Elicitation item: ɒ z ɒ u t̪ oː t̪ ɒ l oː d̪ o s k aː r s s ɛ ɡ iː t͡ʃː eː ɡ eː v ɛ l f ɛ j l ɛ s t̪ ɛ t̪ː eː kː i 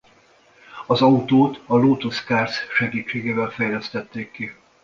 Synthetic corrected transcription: ɒ z ɒ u t̪ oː t̪ ɒ l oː t̪ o s k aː r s ʃ ɛ ɡ iː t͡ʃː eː ɡ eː v ɛ l f ɛ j l ɛ s t̪ ɛ t̪ː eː kː i